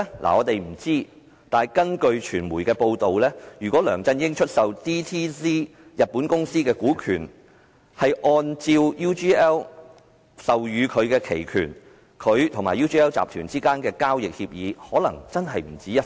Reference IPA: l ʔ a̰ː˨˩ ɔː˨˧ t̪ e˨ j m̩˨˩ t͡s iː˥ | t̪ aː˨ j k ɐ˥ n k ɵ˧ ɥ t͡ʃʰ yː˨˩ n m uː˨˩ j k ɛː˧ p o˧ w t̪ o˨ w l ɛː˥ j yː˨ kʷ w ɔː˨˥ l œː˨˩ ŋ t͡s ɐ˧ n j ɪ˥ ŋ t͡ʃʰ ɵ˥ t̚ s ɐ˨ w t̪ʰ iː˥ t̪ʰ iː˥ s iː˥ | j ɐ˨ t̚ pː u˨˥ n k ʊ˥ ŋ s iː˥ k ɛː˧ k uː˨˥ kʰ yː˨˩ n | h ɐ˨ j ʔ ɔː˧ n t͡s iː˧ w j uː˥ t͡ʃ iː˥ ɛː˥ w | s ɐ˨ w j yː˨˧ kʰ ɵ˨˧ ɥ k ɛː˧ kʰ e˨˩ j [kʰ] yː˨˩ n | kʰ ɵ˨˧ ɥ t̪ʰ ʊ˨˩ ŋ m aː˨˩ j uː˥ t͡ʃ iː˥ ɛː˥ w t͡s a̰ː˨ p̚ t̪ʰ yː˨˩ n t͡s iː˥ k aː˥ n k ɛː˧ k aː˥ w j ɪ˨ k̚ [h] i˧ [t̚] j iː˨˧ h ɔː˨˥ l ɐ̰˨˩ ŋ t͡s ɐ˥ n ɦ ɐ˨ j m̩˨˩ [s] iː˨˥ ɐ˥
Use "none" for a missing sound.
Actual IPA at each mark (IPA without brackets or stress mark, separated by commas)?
kʰ, h, p̚, t͡s